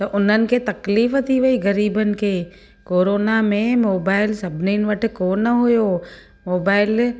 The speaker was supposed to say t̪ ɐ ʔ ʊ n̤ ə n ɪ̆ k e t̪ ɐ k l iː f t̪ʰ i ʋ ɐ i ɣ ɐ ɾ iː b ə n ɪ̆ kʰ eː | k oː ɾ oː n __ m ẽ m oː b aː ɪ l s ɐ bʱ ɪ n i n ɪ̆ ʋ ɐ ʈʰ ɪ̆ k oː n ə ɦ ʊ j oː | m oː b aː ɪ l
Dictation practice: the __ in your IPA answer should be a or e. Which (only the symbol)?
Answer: a